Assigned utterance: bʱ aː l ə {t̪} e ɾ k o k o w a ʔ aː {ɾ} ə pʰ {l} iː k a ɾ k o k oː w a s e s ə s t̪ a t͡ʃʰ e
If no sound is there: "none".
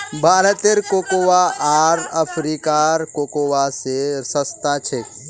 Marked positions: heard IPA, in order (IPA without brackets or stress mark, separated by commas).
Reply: t̪, ɾ, ɾ